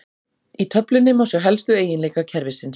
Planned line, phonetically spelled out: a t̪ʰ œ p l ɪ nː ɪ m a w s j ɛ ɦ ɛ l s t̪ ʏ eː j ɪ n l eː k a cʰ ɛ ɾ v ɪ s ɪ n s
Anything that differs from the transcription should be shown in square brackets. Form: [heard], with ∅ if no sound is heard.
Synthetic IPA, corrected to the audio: [i] t̪ʰ œ p l ɪ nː ɪ m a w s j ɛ ɦ ɛ l s t̪ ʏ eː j ɪ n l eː k a cʰ ɛ ɾ v ɪ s ɪ n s